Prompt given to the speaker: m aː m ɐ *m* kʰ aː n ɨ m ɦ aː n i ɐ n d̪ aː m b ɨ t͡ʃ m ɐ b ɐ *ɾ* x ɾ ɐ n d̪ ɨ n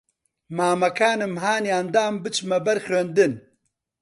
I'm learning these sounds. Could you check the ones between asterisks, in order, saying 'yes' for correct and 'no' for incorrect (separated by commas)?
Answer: no, yes